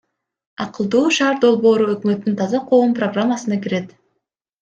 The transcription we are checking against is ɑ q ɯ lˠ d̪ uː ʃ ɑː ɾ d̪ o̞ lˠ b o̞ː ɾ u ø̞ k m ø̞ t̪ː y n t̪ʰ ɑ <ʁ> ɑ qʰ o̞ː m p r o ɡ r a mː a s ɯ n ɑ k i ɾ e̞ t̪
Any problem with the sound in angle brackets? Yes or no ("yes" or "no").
yes